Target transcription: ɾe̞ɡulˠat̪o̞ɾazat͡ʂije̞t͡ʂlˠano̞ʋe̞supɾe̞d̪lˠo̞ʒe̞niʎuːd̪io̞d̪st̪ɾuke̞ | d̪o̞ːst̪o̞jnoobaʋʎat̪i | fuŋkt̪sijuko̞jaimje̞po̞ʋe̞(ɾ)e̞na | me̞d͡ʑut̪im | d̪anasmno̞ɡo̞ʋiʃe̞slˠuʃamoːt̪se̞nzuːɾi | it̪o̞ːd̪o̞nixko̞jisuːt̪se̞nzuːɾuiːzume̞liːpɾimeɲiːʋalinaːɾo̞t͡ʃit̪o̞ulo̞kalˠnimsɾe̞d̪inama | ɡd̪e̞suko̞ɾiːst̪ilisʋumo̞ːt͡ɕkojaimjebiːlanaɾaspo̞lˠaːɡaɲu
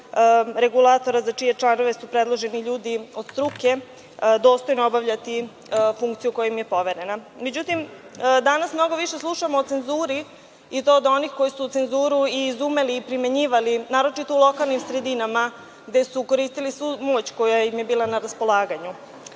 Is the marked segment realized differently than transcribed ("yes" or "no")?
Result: no